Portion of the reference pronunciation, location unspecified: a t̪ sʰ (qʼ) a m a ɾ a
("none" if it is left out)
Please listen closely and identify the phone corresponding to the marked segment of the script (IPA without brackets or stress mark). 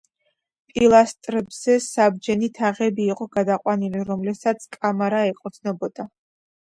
kʼ